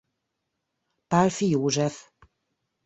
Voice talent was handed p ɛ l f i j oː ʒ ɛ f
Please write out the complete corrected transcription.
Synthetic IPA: p a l f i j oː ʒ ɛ f